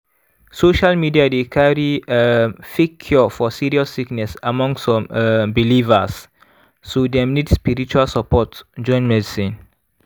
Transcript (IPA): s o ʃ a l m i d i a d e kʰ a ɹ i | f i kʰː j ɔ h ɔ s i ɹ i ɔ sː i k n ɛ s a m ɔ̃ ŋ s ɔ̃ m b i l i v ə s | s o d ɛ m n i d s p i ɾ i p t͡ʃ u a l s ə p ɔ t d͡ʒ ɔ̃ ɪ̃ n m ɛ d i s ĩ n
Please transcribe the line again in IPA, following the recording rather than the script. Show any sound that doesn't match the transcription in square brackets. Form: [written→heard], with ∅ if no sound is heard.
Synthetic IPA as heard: s o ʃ a l m i d i a d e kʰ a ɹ i | f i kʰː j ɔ [h→f] ɔ s i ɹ i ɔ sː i k n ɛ s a m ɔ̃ ŋ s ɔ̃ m b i l i v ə s | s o d ɛ m n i d s p i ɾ i [p→∅] t͡ʃ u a l s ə p ɔ t d͡ʒ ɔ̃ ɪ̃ n m ɛ d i s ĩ n